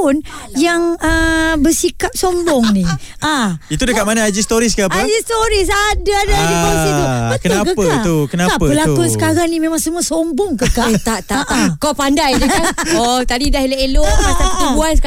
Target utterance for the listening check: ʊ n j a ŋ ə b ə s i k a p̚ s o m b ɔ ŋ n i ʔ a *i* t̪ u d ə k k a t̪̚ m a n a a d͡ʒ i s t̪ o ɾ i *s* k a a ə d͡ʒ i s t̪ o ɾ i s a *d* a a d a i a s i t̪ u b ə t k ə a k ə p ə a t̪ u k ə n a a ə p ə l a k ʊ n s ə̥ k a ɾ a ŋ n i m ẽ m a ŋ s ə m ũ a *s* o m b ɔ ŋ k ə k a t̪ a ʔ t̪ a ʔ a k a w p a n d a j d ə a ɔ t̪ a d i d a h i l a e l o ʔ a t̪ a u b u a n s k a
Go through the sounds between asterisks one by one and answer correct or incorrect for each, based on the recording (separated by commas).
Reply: correct, correct, correct, correct